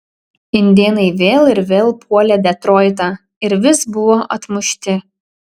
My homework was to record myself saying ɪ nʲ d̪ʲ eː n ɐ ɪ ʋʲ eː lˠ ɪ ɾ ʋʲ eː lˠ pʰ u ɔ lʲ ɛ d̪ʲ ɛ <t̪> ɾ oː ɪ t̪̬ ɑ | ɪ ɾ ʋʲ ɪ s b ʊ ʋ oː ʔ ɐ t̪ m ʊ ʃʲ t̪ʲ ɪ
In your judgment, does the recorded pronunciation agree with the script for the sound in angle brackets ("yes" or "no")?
yes